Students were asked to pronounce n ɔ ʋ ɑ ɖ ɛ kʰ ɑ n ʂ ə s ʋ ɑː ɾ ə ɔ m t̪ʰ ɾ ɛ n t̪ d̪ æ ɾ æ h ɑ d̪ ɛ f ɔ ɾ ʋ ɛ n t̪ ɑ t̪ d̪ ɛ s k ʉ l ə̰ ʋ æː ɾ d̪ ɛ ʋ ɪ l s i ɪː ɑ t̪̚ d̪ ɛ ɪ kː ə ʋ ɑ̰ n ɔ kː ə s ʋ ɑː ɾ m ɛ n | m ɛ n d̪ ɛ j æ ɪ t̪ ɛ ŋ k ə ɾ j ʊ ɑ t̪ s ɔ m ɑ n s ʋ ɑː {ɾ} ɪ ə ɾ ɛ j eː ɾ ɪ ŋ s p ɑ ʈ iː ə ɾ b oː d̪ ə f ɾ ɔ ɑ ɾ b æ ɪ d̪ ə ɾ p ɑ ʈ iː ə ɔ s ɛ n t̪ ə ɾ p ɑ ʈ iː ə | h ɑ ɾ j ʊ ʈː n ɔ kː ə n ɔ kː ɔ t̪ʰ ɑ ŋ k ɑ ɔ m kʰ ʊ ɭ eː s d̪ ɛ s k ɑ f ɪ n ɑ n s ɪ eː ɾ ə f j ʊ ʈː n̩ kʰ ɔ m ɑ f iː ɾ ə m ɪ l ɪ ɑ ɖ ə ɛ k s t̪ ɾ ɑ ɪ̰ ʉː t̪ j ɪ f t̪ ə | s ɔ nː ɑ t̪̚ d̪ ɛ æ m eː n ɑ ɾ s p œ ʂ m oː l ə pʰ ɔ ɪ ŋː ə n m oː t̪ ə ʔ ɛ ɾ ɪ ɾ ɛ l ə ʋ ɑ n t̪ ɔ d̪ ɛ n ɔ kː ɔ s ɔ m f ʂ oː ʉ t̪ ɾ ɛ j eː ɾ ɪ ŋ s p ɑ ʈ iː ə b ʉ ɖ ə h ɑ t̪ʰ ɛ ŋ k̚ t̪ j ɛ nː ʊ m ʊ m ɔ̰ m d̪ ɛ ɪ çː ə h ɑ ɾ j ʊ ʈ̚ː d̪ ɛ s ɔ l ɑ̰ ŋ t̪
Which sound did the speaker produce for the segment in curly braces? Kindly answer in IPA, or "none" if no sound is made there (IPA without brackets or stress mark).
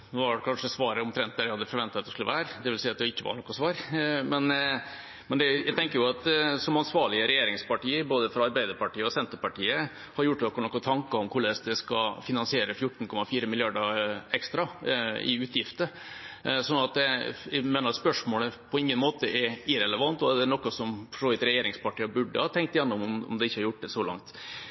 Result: ɭ